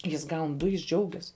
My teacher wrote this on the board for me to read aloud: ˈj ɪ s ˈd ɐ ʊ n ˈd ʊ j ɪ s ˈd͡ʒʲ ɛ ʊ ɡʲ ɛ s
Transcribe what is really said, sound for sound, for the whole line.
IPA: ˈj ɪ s ˈɡ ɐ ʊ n ˈd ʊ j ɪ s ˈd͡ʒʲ ɛ ʊ ɡʲ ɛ s